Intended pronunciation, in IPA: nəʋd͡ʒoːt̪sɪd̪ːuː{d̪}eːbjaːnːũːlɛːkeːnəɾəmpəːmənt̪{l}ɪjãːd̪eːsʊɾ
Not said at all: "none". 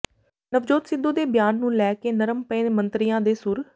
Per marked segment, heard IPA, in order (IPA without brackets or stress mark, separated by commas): d̪, ɾ